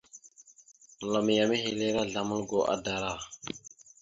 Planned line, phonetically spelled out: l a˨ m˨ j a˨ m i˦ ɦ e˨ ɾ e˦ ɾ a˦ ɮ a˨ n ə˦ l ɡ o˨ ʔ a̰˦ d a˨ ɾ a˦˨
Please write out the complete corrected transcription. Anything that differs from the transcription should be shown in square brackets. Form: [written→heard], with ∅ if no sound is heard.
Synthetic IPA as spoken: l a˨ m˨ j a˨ m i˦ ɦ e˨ [ɾ→l] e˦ ɾ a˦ ɮ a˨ [n→m] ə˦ l ɡ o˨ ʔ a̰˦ d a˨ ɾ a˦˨